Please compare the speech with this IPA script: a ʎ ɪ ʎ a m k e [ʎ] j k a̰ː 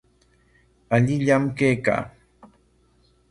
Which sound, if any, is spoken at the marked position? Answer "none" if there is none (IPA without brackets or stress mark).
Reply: none